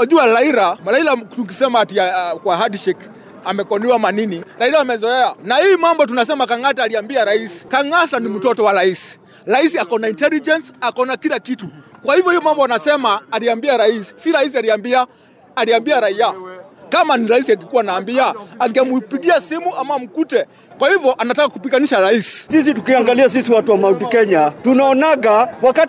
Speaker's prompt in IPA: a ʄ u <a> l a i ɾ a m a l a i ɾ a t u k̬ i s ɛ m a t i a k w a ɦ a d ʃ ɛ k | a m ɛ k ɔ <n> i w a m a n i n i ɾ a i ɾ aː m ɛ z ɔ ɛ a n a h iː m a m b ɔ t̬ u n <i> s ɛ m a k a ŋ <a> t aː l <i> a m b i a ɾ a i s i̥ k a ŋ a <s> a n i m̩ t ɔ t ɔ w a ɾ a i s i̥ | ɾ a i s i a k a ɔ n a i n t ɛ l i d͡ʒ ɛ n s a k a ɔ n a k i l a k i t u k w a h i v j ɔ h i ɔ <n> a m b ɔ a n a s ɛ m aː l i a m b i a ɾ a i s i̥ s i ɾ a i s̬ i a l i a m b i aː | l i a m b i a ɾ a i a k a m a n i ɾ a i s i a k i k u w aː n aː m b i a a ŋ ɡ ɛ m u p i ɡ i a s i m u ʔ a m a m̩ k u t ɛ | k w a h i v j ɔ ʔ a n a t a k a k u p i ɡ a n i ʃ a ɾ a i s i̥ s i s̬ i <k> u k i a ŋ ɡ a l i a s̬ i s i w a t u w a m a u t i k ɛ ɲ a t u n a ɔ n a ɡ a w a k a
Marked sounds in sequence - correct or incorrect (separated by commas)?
correct, correct, incorrect, correct, correct, correct, incorrect, incorrect